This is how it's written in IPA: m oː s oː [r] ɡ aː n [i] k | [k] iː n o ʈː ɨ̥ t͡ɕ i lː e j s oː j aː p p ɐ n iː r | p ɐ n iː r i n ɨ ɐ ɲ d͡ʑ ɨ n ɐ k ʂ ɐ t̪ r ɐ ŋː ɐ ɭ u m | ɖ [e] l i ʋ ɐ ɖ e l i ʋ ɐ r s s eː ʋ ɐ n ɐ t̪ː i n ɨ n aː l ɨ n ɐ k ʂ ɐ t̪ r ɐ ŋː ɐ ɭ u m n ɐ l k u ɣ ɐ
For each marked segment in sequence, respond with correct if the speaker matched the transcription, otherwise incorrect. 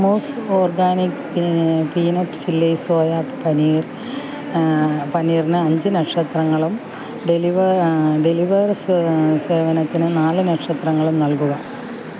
correct, correct, incorrect: p, correct

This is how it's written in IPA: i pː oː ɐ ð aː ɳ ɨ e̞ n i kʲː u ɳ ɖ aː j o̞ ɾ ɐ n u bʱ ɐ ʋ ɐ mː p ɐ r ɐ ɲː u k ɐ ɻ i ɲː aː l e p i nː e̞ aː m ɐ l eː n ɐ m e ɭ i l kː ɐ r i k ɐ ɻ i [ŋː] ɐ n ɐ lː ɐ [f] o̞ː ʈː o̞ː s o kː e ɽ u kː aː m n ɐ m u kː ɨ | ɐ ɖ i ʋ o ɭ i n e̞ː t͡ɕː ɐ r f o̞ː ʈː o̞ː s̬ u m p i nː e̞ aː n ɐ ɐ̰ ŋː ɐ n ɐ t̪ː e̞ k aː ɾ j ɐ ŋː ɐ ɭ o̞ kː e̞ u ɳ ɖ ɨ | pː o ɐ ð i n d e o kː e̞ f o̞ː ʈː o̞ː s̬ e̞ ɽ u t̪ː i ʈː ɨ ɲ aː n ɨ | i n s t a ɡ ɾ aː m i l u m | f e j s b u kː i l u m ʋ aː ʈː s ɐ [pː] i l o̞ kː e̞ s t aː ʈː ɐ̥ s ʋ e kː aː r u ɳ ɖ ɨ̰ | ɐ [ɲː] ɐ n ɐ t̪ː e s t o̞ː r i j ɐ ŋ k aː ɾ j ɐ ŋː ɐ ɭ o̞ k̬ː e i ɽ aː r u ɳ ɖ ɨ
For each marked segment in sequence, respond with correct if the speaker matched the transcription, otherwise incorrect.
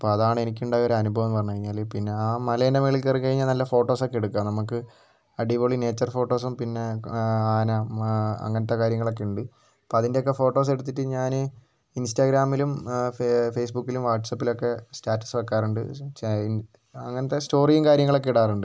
incorrect: ɲː, correct, correct, incorrect: ŋː

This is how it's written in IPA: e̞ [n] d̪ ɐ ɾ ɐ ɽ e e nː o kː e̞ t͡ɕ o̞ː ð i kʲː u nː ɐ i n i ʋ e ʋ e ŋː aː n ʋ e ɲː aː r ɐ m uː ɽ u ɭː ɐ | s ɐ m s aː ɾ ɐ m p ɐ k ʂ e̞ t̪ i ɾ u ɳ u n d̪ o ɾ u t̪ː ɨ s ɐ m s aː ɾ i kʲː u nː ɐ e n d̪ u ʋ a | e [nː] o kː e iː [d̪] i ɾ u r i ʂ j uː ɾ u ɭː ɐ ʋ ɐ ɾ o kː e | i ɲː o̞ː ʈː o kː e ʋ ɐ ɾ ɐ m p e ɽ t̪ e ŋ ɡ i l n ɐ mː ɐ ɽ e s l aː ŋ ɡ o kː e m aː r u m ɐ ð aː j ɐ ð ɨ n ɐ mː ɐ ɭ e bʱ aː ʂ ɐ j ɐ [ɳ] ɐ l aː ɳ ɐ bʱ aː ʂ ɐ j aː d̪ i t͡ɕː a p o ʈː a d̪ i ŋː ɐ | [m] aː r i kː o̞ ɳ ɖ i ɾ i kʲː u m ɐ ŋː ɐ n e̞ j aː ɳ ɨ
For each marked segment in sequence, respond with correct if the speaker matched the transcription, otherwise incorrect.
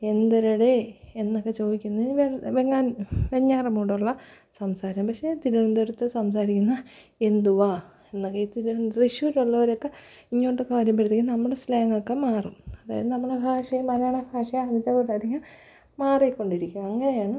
correct, correct, incorrect: t̪, incorrect: m, correct

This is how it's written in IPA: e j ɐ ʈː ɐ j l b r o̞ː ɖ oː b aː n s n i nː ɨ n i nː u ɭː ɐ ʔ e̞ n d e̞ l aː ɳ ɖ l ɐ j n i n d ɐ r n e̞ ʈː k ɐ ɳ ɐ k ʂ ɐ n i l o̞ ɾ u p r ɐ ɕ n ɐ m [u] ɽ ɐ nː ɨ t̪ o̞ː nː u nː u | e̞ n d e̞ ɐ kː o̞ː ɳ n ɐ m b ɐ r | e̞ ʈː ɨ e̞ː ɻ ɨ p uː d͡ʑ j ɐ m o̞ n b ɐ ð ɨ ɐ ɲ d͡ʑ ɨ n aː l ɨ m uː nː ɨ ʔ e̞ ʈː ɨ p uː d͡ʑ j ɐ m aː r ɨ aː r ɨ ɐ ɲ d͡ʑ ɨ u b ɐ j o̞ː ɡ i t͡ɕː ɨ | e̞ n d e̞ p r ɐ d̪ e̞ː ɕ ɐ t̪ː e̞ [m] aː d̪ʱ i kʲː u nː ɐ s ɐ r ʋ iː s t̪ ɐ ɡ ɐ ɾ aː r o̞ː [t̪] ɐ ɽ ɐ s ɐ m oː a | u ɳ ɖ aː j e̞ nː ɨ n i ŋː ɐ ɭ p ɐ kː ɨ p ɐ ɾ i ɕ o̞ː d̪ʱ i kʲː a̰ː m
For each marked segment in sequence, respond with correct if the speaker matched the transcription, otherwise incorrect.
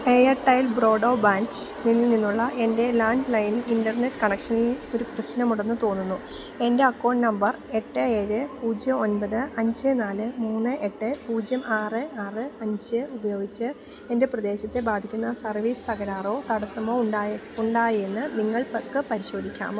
correct, incorrect: b, correct

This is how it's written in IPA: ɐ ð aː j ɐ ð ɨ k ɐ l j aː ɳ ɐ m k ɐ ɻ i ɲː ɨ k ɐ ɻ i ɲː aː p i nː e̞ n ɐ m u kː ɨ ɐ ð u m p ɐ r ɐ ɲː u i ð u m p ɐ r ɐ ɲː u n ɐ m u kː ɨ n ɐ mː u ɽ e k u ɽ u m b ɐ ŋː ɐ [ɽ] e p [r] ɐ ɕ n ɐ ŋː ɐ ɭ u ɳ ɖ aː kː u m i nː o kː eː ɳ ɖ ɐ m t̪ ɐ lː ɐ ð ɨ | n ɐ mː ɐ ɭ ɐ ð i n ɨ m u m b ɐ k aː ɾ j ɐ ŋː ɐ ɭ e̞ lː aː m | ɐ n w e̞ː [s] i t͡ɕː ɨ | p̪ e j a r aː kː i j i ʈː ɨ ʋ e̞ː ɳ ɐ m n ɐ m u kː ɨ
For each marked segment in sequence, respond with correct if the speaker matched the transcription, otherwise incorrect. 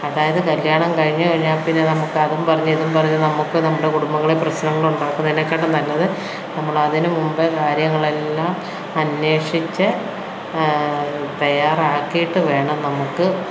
incorrect: ɭ, correct, incorrect: ʂ

